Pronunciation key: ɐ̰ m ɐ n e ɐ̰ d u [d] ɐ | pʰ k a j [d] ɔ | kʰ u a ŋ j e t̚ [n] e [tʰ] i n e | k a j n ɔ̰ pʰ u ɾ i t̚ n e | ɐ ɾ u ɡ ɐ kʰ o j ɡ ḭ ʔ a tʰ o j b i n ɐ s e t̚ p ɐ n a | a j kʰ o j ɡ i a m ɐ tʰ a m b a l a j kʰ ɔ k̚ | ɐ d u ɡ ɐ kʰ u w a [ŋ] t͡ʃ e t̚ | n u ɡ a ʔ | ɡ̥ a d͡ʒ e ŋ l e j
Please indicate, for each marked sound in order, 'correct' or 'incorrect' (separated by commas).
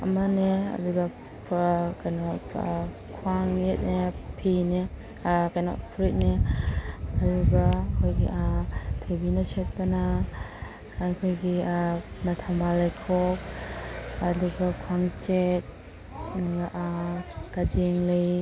incorrect, incorrect, correct, incorrect, correct